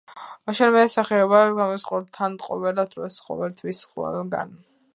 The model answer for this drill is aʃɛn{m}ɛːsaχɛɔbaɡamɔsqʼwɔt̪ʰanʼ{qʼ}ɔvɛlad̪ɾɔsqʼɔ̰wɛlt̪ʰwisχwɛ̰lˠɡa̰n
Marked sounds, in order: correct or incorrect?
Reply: correct, correct

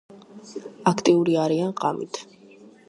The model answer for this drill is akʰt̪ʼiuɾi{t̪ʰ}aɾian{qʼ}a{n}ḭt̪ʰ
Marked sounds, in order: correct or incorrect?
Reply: incorrect: none, correct, incorrect: m

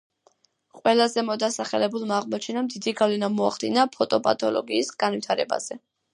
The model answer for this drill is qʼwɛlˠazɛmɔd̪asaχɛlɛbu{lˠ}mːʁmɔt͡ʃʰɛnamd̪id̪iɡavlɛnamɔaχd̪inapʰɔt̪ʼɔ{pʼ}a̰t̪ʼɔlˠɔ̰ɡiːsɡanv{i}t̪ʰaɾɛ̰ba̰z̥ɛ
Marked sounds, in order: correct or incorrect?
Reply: correct, correct, correct

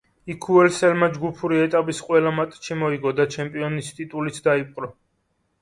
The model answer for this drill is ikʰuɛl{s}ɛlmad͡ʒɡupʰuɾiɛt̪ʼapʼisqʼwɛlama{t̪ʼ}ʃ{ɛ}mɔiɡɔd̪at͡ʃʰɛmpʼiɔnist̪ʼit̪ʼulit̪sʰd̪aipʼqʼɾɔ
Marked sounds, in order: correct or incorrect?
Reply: correct, correct, incorrect: i

